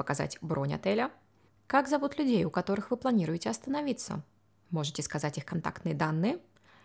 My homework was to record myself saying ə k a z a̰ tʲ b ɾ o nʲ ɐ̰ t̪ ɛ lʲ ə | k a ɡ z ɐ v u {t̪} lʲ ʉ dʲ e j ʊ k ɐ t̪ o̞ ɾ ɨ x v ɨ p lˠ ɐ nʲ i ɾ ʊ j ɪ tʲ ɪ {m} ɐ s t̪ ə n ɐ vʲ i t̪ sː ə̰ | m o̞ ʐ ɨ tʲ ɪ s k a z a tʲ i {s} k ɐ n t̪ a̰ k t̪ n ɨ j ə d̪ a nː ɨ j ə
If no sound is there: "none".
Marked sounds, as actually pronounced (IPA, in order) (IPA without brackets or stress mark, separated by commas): t̪, none, x